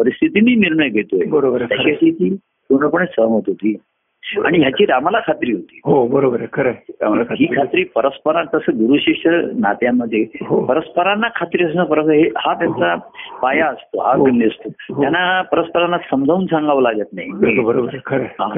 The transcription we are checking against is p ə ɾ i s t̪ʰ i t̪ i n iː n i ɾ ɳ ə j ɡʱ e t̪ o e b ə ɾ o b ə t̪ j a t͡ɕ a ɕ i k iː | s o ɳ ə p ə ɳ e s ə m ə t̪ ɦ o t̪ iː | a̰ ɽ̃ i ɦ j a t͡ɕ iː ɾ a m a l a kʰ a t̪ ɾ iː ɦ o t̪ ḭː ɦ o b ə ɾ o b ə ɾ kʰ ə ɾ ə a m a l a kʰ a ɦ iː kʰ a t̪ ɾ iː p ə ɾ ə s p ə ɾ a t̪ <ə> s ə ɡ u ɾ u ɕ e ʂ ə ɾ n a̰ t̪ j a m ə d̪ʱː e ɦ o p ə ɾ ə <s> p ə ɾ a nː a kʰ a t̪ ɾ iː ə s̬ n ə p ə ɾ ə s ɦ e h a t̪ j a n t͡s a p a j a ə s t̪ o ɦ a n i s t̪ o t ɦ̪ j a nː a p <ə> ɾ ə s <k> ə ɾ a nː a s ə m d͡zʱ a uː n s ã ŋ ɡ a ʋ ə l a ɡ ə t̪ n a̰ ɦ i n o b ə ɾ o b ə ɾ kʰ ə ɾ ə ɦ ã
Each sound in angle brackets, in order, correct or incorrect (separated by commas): correct, correct, correct, incorrect